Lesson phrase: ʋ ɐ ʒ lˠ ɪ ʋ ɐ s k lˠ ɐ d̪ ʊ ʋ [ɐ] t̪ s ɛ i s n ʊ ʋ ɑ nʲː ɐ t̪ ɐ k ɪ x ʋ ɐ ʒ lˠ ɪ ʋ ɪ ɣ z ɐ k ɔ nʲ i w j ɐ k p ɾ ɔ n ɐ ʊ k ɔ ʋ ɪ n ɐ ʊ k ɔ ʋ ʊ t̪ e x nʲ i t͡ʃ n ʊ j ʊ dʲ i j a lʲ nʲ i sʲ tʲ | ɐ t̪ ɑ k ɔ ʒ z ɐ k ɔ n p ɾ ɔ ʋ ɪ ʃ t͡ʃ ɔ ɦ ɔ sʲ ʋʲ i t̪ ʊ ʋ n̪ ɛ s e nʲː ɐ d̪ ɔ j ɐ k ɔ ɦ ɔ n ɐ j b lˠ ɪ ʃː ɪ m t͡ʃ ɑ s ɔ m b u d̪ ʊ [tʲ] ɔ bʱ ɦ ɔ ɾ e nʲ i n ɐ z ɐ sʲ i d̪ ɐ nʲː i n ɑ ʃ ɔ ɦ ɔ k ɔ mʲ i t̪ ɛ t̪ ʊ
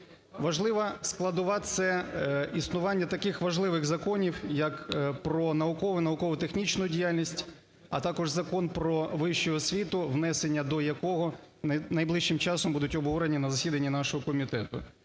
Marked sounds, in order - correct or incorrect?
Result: incorrect: ɑ, correct

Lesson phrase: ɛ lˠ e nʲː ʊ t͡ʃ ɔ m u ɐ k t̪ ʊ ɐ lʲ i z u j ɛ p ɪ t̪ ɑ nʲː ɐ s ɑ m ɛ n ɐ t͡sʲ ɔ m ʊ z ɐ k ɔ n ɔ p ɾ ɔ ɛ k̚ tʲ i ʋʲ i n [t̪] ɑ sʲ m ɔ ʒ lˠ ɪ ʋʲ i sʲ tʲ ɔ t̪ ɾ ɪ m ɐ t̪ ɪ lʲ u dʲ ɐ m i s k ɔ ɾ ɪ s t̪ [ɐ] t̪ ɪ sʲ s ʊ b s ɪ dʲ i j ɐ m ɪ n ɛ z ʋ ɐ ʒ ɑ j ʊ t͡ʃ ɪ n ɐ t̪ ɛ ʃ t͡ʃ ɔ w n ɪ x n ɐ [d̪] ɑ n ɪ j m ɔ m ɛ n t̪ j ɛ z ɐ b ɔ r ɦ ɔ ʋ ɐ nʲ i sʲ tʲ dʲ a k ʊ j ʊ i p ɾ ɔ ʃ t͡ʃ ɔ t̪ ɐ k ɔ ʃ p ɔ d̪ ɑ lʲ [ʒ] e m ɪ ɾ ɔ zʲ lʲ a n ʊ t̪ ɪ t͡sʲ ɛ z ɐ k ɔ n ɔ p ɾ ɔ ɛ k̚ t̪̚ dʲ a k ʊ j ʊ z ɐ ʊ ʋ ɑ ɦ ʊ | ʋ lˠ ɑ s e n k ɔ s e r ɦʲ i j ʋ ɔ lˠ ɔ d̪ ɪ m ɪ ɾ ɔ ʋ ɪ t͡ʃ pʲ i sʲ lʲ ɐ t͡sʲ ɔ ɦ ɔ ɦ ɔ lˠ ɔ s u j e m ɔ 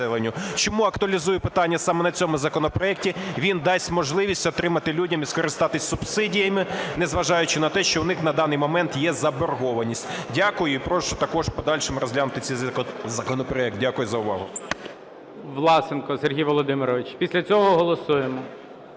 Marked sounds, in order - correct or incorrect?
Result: incorrect: d̪, incorrect: ɑ, correct, incorrect: ʃ

